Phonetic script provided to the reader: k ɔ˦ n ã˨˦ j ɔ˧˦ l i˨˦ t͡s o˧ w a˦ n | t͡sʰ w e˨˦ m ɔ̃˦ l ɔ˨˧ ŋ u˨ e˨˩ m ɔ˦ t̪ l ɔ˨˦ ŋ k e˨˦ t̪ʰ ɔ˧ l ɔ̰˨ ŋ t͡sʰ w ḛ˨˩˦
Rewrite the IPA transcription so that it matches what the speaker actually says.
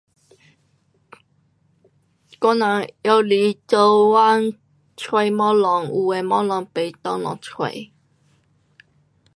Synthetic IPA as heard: k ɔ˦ n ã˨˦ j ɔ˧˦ l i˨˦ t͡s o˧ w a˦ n | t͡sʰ w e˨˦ m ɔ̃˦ l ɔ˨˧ ŋ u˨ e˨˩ m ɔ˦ l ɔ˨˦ ŋ p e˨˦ t̪ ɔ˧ l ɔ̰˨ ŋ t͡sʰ w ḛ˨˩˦